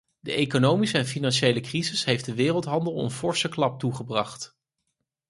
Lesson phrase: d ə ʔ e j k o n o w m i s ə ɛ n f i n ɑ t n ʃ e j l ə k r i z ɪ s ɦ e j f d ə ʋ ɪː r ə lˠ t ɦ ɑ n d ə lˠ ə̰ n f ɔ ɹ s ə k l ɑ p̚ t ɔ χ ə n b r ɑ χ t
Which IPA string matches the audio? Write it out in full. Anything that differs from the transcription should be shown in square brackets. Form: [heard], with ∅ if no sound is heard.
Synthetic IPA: d ə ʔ e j k o n o w m i s ə ɛ n f i n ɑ [∅] n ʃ e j l ə k r i z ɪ s ɦ e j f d ə ʋ ɪː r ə lˠ t ɦ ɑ n d ə lˠ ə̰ n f ɔ ɹ s ə k l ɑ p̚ t [u] χ ə [∅] b r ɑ χ t